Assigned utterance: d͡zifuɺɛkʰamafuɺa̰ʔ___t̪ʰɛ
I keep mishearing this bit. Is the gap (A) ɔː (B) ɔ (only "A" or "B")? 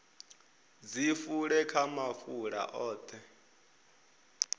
A